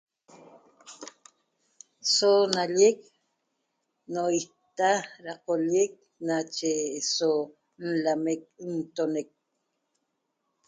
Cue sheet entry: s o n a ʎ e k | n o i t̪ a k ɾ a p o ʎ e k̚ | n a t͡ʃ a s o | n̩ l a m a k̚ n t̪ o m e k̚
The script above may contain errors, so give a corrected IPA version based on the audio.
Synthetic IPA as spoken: s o n a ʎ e k | n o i t̪ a ɾ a q o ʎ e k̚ | n a t͡ʃ e s o | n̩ l a m e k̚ n t̪ o n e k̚

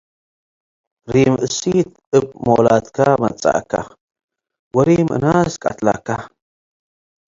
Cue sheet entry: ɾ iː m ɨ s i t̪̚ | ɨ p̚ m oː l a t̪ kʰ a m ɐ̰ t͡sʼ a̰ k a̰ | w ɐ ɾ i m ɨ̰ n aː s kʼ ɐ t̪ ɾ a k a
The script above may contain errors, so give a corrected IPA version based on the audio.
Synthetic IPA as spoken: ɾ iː m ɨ s i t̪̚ | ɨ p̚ m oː l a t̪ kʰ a m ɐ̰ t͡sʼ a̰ k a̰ | w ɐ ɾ i m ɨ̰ n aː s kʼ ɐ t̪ l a k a

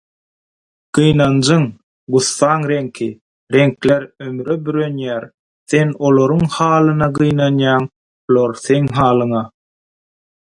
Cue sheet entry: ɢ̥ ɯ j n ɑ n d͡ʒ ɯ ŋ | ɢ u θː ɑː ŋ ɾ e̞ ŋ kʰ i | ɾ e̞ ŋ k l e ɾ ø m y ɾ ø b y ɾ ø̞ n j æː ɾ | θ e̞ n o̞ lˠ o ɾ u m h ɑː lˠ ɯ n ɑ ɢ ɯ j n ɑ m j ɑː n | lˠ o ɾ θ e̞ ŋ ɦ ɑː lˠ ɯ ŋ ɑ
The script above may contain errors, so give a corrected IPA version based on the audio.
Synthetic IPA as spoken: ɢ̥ ɯ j n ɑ n d͡ʒ ɯ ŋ | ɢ u θː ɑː ŋ ɾ e̞ ŋ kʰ i | ɾ e̞ ŋ k l e ɾ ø m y ɾ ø b y ɾ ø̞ n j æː ɾ | θ e̞ n o̞ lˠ o ɾ u ŋ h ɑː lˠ ɯ n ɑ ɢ ɯ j n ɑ n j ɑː ŋ | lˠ o ɾ θ e̞ ŋ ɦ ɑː lˠ ɯ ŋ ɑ

